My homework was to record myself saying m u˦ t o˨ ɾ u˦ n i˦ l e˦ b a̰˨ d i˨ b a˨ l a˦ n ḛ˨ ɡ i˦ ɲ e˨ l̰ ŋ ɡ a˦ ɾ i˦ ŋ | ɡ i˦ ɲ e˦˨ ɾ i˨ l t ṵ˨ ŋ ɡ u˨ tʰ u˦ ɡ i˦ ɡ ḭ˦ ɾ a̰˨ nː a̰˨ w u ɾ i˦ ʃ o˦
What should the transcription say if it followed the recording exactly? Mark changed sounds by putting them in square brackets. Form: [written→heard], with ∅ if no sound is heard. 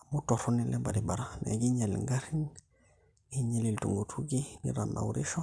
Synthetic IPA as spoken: m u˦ t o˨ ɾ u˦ n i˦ l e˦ b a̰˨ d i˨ b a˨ [l→ɾ] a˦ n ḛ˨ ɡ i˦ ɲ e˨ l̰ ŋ ɡ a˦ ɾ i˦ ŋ | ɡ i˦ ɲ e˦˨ [ɾ→l] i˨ l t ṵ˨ ŋ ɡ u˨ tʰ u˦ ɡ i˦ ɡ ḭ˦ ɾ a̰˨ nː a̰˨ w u ɾ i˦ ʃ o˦